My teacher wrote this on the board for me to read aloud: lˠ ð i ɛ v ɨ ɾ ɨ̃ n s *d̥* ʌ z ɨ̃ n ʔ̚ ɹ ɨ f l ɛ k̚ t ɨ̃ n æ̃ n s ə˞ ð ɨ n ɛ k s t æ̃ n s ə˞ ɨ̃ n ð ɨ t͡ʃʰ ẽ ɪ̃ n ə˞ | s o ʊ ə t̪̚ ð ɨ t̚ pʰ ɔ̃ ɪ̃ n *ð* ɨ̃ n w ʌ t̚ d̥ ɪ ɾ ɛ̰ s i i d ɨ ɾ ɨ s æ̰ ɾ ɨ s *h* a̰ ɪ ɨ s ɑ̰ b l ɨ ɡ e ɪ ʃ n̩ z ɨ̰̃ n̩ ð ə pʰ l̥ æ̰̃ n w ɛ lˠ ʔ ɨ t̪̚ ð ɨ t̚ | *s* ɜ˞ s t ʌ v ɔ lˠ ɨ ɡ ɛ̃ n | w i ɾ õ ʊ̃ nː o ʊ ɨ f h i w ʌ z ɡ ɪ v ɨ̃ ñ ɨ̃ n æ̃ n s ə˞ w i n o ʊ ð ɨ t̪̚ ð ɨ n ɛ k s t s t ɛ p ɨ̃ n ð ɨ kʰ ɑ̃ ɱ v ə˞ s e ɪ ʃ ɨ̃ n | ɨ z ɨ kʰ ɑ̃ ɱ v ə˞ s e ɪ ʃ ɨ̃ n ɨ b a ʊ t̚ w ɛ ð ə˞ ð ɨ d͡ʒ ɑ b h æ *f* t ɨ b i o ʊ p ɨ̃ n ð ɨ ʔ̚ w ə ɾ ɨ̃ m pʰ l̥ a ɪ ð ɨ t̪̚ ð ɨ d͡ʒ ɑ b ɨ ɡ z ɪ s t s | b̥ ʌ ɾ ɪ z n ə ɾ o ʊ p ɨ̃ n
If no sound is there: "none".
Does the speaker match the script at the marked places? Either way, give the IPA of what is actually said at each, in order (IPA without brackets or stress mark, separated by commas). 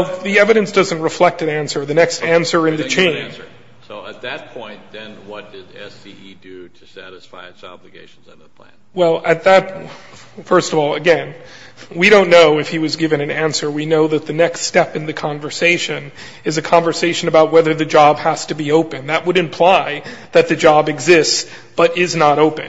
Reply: d̥, ð, f, f, s